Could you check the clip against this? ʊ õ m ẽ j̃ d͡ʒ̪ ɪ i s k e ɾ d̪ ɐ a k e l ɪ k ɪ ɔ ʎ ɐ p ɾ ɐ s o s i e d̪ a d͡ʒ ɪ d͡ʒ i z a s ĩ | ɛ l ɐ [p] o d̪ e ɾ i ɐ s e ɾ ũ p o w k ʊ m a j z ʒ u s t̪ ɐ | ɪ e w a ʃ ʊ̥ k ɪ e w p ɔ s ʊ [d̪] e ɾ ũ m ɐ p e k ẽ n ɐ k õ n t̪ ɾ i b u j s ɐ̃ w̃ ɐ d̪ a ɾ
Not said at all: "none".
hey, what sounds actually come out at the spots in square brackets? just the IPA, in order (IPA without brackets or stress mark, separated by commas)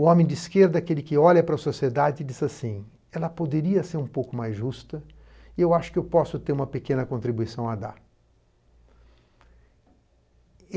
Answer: p, t̪